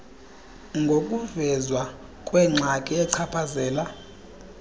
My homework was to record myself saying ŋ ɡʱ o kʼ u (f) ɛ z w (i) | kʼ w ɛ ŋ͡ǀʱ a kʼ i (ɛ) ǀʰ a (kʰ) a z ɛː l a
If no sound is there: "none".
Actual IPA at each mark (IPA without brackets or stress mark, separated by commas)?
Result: v, a, ɛ, pʰ